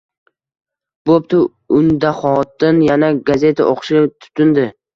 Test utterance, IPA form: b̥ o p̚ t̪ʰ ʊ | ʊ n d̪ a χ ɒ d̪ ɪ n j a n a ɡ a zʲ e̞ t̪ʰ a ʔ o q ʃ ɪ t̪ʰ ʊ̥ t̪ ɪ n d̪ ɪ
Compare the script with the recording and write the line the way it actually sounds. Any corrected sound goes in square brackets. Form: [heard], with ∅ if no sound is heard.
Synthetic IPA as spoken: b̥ o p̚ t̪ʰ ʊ | ʊ n d̪ a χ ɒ [t̪] ɪ n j a n a ɡ a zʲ e̞ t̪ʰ a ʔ o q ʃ ɪ t̪ʰ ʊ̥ t̪ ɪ n d̪ ɪ